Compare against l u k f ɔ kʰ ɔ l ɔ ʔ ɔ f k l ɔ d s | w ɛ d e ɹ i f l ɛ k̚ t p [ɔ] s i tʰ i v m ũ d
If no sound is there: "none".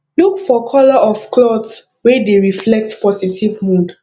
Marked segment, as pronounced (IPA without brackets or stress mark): ɔ